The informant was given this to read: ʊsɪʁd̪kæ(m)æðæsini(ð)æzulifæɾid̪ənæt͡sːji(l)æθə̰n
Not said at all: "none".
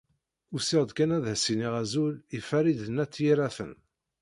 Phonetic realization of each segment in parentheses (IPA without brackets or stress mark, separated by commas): n, ʁ, ɾ